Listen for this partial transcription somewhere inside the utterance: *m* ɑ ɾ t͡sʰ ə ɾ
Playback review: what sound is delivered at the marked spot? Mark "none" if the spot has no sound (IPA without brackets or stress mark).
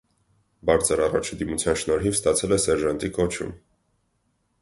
b